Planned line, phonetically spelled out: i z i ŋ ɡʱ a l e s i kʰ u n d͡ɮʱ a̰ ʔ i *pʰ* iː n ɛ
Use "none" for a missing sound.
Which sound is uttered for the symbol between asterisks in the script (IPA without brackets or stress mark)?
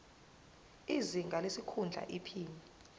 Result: pʰ